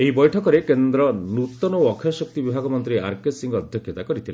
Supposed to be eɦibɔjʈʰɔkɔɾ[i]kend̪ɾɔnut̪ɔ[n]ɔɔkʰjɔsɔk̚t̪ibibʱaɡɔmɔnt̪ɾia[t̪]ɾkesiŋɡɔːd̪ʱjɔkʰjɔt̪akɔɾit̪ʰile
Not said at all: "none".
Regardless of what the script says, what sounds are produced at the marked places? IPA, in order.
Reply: e, n, none

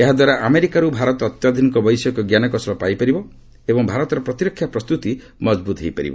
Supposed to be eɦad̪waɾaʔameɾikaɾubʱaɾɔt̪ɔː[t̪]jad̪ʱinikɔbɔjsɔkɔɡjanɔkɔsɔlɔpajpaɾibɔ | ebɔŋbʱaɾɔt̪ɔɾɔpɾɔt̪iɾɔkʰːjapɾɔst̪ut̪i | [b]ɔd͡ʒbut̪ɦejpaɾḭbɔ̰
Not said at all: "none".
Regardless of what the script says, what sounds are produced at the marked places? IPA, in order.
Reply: t̪, m

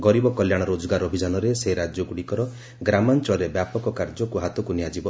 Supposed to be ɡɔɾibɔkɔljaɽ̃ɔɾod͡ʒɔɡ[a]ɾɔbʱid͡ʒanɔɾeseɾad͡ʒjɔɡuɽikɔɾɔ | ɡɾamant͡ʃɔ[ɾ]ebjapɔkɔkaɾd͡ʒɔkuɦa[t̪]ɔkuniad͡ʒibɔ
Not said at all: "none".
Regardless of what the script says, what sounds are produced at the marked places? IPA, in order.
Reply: a, ɾ, t̪

